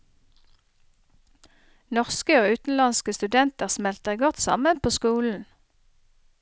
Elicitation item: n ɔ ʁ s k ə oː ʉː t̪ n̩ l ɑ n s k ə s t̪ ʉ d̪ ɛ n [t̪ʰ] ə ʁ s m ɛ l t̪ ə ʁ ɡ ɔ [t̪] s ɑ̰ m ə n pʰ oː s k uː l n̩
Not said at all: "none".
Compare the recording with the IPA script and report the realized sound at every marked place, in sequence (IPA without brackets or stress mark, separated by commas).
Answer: t̪, t̪